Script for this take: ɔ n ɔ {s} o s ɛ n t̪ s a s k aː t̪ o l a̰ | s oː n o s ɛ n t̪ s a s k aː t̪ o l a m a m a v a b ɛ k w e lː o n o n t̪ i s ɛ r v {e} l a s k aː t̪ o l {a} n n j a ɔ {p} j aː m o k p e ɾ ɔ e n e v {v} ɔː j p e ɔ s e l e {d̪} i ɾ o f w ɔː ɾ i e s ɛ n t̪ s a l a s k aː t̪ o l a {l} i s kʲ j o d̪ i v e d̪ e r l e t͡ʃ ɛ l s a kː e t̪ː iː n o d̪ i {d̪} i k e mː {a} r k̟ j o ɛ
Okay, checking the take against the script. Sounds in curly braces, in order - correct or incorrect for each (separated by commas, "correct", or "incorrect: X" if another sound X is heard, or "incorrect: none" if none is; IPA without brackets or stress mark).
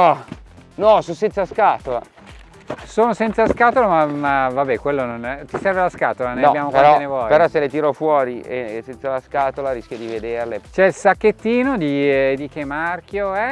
correct, correct, correct, incorrect: b, incorrect: w, incorrect: t̪, incorrect: ɾ, correct, correct